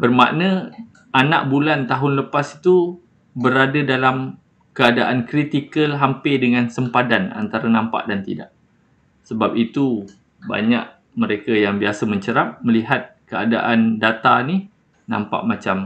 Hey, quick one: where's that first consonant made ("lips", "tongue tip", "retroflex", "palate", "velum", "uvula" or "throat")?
lips